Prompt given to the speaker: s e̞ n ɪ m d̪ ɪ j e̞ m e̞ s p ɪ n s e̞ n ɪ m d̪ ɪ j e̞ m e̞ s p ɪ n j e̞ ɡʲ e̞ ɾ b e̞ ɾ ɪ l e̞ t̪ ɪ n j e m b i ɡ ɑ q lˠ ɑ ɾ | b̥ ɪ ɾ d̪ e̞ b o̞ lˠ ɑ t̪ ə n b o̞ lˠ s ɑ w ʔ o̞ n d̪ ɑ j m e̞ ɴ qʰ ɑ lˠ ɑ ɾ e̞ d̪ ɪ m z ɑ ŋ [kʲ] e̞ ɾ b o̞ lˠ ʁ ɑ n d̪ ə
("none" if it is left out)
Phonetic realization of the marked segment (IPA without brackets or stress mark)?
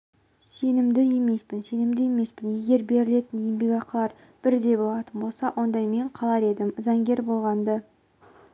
ɡʲ